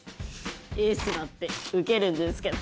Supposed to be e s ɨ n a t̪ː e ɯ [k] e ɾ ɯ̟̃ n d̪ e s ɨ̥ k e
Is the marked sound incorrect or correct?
correct